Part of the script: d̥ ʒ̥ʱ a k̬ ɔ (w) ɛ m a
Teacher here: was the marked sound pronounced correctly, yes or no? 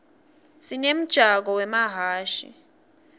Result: yes